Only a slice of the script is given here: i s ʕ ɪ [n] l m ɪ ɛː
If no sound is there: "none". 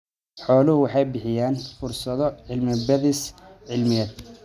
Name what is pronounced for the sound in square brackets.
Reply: none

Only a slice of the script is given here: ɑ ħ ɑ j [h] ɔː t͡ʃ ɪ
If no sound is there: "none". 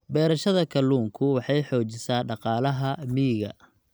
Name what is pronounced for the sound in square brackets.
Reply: ħ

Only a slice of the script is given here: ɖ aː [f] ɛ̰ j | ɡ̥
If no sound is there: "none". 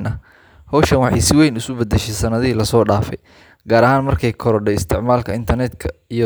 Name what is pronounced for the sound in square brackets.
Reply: f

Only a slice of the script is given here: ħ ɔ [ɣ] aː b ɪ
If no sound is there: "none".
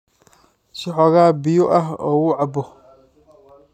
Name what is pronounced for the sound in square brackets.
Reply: ɣ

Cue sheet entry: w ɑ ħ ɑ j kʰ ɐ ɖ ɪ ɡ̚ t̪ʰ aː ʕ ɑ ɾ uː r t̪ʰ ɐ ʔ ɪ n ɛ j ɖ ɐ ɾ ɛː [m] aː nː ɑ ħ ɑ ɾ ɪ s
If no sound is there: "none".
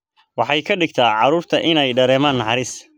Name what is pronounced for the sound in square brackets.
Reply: m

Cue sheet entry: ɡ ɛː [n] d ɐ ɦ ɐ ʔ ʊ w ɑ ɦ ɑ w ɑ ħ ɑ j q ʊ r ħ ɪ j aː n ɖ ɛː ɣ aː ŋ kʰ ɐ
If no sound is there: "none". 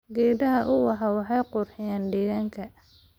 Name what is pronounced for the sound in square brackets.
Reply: none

